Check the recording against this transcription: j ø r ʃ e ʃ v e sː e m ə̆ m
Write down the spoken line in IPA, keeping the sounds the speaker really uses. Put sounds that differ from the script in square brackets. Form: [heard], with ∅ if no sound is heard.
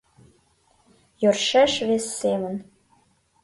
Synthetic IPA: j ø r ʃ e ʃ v e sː e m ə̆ [n]